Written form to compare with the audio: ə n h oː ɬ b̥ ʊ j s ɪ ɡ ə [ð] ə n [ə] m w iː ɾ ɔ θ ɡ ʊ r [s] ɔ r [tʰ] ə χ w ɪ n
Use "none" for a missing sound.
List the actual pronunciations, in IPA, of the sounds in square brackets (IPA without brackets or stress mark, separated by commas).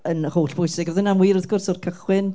ð, a, s, kʰ